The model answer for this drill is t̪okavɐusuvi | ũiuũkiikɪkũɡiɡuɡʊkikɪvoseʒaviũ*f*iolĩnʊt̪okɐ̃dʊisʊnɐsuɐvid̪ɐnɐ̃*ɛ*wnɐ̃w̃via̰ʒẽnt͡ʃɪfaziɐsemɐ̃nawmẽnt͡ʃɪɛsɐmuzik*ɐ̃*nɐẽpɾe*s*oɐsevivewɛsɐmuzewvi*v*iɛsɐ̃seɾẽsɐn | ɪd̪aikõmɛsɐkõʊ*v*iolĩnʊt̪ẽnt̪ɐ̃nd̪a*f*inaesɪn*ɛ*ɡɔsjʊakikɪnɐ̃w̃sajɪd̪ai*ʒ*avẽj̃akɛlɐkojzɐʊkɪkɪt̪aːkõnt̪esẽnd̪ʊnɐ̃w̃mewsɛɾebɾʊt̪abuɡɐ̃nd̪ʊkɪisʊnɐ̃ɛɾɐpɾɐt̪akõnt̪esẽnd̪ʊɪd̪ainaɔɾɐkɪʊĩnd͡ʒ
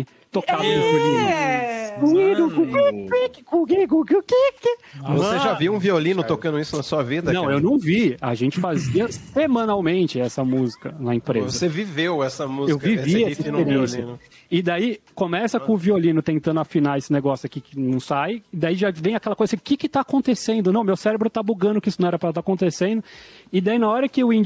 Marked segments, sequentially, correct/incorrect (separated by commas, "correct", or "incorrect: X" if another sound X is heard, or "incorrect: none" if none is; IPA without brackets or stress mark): incorrect: v, incorrect: e, incorrect: ɐ, incorrect: z, correct, correct, correct, incorrect: e, correct